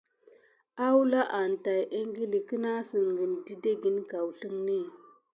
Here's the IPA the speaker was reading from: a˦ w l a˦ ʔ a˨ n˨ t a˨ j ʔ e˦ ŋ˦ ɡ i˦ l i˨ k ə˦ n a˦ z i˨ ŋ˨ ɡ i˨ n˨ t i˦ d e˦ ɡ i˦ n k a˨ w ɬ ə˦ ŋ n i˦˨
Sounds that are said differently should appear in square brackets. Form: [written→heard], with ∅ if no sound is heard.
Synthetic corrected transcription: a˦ w l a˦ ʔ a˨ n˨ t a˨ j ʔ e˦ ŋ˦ ɡ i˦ l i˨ k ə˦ n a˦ [z→s] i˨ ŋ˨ ɡ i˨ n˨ [t→d] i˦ d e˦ ɡ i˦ n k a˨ w ɬ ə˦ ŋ n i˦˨